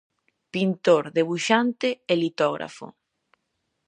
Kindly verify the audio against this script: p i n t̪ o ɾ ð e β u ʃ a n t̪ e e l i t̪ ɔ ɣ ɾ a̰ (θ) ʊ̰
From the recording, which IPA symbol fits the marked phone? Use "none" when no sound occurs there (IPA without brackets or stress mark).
f